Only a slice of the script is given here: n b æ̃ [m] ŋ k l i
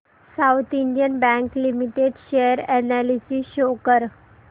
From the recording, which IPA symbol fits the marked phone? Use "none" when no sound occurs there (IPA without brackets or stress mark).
none